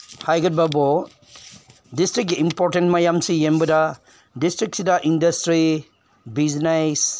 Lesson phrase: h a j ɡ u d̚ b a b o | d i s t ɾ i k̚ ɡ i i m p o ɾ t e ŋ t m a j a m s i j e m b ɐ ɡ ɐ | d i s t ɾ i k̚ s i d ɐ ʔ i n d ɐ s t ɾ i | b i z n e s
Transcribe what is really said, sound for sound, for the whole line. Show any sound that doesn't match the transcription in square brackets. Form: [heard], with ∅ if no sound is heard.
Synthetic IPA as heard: h a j ɡ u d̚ b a b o | d i s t ɾ i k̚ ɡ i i m p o ɾ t e [n] t m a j a m s i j e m b ɐ [d] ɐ | d i s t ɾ i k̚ s i d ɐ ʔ i n d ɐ s t ɾ i | b i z n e s